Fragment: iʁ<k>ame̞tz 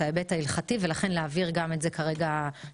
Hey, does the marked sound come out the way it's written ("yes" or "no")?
no